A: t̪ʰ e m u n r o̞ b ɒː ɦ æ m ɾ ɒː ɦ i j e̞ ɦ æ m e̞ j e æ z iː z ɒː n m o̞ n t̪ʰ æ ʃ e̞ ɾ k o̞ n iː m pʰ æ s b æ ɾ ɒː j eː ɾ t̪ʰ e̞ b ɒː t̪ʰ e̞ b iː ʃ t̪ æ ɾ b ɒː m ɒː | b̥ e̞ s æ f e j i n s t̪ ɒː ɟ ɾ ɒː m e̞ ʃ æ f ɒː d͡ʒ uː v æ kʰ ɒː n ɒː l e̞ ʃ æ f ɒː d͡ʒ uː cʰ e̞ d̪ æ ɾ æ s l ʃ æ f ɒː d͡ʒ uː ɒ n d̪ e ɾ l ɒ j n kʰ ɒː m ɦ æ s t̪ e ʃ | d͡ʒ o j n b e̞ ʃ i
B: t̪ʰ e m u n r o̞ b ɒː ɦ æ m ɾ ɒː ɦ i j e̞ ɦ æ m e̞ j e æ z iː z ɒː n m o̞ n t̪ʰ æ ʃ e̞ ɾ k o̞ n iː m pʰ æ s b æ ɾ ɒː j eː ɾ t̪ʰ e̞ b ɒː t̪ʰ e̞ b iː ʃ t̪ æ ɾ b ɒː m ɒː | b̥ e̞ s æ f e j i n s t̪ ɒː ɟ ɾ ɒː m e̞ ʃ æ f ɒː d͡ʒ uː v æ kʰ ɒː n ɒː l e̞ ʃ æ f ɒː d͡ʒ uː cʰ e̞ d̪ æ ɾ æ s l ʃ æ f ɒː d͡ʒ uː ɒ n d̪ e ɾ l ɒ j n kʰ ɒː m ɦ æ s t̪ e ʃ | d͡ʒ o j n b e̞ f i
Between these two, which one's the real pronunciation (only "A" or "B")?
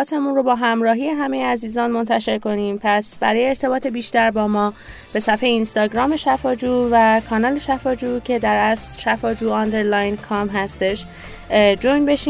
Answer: A